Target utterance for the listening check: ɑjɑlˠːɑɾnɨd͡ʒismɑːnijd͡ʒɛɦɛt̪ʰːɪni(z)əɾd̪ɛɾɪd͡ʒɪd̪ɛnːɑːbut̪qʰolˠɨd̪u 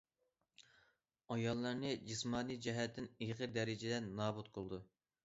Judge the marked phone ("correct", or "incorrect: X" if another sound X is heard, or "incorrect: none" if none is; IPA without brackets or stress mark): incorrect: ʁ